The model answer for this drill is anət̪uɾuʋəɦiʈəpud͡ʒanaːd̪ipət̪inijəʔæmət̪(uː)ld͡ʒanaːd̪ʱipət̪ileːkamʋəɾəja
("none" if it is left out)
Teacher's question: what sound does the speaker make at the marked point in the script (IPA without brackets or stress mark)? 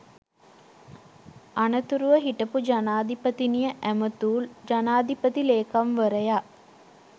uː